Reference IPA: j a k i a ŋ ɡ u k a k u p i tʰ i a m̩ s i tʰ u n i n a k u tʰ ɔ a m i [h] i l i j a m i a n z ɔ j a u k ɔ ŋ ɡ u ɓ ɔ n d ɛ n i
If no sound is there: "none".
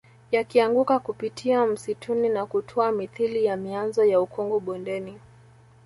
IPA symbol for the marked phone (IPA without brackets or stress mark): θ